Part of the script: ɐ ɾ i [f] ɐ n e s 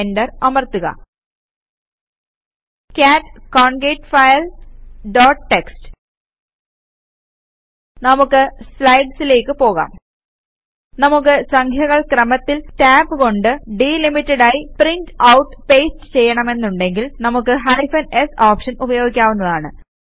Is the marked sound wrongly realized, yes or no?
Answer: no